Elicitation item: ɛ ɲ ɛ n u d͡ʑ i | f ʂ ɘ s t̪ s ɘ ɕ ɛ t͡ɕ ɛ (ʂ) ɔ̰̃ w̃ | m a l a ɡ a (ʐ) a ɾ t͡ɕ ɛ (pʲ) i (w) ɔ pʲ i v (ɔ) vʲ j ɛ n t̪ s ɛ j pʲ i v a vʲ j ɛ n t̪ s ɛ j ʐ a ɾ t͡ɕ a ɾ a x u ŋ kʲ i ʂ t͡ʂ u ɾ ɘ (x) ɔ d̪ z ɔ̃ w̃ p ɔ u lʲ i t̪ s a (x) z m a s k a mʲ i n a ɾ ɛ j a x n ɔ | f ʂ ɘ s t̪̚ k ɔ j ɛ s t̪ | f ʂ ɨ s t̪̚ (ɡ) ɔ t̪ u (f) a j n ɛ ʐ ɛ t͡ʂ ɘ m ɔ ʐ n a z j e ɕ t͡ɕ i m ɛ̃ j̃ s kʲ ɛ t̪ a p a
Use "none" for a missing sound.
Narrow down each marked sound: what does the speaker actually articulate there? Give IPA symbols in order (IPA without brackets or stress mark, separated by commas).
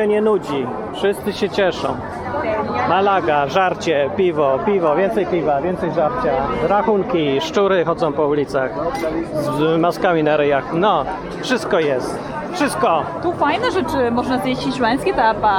ʂ, ʐ, pʲ, v, ɔ, x, x, k, f